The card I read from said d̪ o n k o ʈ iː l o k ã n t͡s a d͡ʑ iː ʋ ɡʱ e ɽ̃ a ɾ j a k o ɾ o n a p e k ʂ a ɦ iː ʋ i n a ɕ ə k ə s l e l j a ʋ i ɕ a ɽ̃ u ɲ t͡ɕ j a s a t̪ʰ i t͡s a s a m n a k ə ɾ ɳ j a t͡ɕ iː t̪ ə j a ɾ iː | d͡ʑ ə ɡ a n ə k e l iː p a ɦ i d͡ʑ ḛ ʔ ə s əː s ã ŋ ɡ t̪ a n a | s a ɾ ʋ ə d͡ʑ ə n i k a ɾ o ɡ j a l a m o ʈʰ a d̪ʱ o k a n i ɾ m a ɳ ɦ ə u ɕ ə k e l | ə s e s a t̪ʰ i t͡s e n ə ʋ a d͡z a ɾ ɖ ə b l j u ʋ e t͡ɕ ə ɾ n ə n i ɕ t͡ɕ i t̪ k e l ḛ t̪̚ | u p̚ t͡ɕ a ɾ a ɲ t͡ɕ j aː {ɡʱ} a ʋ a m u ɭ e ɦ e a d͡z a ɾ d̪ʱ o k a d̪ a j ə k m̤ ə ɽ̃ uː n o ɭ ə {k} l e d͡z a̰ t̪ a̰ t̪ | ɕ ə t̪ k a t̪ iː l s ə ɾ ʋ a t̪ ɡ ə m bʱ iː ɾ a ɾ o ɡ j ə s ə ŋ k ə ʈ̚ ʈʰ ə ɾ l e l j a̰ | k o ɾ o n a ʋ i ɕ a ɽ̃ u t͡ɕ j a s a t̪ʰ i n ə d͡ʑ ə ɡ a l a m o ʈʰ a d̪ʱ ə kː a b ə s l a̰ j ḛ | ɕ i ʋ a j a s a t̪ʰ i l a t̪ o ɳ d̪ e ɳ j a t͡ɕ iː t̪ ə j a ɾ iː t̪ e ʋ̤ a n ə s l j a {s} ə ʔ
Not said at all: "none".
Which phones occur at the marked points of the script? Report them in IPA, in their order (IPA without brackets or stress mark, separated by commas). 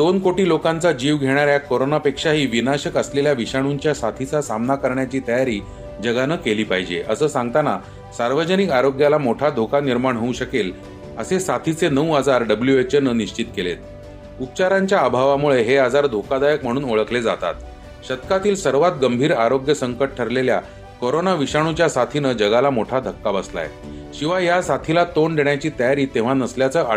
bʱ, k, t͡s